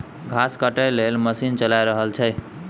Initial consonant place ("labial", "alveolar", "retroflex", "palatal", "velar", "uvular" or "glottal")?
velar